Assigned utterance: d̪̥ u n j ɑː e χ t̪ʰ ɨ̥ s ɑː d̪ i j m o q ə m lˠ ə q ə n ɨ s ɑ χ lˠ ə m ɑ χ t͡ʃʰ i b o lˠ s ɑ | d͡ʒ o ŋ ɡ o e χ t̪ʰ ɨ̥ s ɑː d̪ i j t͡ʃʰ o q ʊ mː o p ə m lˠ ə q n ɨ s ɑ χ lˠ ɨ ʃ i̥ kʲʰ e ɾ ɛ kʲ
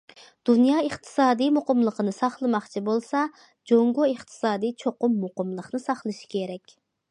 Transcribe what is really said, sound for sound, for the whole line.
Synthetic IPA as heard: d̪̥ u n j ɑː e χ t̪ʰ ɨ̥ s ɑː d̪ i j m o q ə m lˠ ə q ə n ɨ s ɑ χ lˠ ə m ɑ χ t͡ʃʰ i b o lˠ s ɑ | d͡ʒ o ŋ ɡ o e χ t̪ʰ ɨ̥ s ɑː d̪ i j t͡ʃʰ o q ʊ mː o q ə m lˠ ə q n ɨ s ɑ χ lˠ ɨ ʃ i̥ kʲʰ e ɾ ɛ kʲ